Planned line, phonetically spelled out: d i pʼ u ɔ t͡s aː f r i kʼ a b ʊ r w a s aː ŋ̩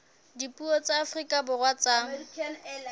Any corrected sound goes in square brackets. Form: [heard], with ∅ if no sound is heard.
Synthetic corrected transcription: d i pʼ u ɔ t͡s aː f r i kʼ a b ʊ r w a [t͡s] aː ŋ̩